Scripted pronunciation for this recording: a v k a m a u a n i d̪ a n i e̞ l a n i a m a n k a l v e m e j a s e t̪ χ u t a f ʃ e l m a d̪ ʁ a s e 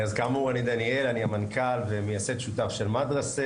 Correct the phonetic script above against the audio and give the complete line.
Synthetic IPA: a z k a m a u a n i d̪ a n i e̞ l a n i a m a n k a l v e m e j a s e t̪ ʃ u t a f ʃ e l m a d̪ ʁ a s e

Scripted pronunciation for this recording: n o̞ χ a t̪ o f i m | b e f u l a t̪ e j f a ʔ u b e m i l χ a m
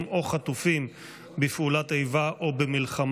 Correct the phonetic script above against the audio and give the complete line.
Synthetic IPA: m o̞ χ a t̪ u f i m | b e f u l a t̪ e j v a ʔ o b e m i l χ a m

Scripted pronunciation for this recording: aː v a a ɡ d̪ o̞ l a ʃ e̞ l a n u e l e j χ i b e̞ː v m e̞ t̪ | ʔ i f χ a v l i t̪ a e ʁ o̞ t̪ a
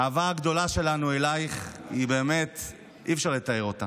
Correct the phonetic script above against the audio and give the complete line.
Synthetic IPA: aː v a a ɡ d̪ o̞ l a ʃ e̞ l a n u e l a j χ i b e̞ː m e̞ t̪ | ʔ i f ʃ a ʁ l e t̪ a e ʁ o̞ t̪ a

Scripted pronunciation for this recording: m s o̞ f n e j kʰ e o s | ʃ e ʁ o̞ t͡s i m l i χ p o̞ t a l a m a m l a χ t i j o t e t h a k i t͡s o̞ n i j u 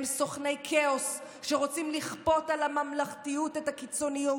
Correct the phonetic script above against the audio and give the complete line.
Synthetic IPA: m s o̞ χ n e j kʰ e o s | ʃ e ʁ o̞ t͡s i m l i χ p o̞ t a l a m a m l a χ t i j u t e t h a k i t͡s o̞ n i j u

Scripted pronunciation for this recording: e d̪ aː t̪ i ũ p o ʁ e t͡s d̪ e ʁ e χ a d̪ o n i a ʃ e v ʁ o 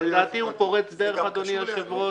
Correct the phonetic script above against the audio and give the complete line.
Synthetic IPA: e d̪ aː t̪ i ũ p o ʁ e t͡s d̪ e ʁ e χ a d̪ o n i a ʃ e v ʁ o

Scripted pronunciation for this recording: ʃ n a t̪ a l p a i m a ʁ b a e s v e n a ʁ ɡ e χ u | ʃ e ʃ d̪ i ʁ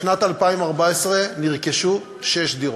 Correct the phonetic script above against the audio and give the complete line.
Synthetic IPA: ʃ n a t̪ a l p a i m a ʁ b a e s ʁ e n i ʁ k e ʃ u | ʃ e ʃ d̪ i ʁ

